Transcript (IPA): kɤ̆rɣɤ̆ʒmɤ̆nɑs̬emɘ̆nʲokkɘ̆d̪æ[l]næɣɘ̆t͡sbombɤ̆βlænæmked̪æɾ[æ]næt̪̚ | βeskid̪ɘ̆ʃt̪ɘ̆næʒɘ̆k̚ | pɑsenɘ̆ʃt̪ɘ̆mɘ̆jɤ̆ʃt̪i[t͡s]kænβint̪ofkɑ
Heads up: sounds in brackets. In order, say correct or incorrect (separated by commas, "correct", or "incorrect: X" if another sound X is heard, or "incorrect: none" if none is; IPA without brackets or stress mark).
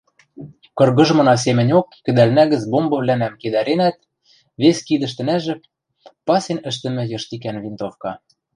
correct, incorrect: e, incorrect: none